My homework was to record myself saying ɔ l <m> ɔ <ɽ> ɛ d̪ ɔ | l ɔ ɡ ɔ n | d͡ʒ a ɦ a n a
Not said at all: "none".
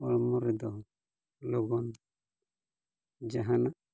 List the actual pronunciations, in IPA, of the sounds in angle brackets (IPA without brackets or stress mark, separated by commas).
m, ɾ